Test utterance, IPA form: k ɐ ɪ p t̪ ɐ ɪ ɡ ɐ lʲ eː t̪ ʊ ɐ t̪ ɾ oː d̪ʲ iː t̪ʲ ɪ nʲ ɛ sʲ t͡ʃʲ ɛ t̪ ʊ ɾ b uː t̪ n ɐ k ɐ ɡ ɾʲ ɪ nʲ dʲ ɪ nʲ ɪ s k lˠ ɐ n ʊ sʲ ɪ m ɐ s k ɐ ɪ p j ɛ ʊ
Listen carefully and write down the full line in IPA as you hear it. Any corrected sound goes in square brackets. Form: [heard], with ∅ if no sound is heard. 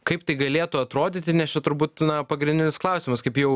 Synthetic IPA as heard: k ɐ ɪ p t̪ ɐ ɪ ɡ ɐ lʲ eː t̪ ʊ ɐ t̪ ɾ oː d̪ʲ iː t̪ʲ ɪ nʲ ɛ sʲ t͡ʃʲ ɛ t̪ ʊ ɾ b uː t̪ n ɐ [p] ɐ ɡ ɾʲ ɪ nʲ dʲ ɪ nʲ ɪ s k lˠ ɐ [∅] ʊ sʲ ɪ m ɐ s k ɐ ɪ p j ɛ ʊ